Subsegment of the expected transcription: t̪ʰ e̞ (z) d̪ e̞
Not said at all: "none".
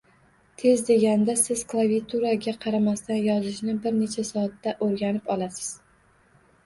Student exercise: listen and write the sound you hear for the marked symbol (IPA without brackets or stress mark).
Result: z